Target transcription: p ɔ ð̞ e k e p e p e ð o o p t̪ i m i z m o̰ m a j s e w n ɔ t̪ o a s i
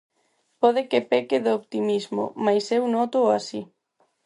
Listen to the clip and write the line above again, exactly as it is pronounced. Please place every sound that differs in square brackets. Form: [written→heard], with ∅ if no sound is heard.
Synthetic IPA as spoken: p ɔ ð̞ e k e p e [p→k] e ð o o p t̪ i m i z m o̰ m a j s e w n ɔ t̪ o a s i